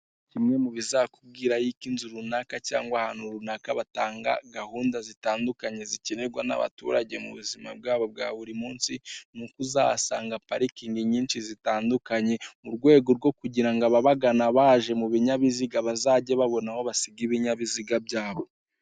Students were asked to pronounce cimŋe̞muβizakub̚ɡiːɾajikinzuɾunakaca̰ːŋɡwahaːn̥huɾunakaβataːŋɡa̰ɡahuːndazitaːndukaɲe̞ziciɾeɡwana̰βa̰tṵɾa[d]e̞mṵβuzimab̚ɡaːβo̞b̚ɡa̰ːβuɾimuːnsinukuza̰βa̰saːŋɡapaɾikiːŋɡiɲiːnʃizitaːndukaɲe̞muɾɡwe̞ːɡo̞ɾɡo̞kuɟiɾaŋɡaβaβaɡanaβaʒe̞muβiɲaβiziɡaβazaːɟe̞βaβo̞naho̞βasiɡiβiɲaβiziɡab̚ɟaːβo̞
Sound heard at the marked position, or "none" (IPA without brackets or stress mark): ɟ